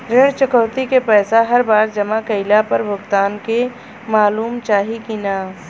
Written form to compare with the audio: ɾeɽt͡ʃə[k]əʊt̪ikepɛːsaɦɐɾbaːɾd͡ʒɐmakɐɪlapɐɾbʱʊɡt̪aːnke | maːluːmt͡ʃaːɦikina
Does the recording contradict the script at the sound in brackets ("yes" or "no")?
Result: no